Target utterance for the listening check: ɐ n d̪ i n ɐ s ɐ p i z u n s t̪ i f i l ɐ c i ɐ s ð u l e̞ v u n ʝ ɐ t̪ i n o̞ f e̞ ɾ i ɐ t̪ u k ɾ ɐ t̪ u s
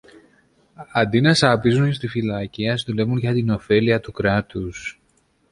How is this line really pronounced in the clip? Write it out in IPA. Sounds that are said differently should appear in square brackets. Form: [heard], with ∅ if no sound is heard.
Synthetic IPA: ɐ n d̪ i n ɐ s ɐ p i z u n s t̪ i f i l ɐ c i ɐ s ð u l e̞ v u n ʝ ɐ t̪ i n o̞ f e̞ [l] i ɐ t̪ u k ɾ ɐ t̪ u s